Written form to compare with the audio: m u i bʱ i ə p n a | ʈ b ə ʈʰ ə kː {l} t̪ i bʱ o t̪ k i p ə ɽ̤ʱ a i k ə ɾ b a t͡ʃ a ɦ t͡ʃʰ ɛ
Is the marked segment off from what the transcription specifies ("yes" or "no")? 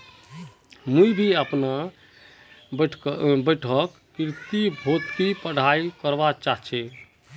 yes